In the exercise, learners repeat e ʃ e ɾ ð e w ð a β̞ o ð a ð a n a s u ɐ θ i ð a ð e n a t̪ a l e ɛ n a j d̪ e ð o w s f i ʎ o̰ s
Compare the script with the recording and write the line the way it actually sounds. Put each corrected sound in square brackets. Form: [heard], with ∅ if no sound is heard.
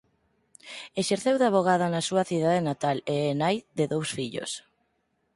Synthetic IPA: e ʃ e ɾ [θ] e w ð a β̞ o [ɣ] a ð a n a s u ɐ θ i ð a ð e n a t̪ a l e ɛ n a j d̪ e ð o w s f i ʎ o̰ s

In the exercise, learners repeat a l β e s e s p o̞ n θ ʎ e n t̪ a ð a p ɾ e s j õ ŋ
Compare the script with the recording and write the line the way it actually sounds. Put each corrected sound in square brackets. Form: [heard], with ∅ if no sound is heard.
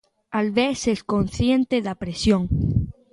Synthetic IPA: a l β e s e s [k] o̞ n θ [j] e n t̪ [e] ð a p ɾ e s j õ ŋ

